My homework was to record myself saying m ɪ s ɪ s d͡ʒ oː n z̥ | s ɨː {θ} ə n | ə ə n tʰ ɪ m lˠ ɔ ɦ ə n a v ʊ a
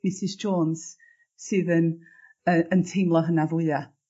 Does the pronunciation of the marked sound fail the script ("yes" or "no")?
yes